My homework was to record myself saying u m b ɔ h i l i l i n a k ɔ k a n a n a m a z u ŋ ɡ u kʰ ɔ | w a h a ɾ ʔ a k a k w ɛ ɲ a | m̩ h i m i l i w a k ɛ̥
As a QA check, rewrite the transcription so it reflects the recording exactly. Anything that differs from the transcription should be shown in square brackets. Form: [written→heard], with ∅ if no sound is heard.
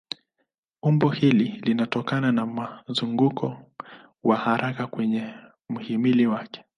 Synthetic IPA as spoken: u m b ɔ h i l i l i n a [k→t] ɔ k a n a n a m a z u ŋ ɡ u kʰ ɔ | w a h a ɾ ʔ a k a k w ɛ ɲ [a→ɛ] | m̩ h i m i l i w a k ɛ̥